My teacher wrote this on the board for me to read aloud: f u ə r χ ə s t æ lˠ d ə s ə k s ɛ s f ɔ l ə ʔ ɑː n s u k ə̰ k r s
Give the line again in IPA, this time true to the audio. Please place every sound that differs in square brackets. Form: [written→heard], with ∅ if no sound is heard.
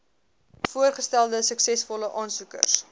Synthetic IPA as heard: f u ə r χ ə s t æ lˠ d ə s ə k s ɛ s f ɔ l ə ʔ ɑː n s u k ə̰ [k→∅] r s